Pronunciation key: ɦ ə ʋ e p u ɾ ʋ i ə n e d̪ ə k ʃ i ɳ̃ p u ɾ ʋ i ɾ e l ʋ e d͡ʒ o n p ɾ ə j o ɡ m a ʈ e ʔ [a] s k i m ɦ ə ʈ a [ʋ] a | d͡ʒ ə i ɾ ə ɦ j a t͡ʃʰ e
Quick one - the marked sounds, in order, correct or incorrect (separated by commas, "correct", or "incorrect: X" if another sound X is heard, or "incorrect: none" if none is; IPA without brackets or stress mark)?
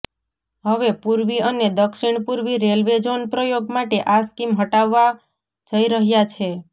correct, incorrect: ʋː